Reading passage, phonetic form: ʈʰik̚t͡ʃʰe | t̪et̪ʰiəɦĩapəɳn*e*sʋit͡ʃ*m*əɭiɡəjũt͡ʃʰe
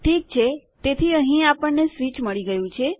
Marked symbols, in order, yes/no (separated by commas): yes, yes